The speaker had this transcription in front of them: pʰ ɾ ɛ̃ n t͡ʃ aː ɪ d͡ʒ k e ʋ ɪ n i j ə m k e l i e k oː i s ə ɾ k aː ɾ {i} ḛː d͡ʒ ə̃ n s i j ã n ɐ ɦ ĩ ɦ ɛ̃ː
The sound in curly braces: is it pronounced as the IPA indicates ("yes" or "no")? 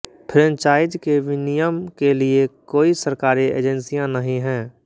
yes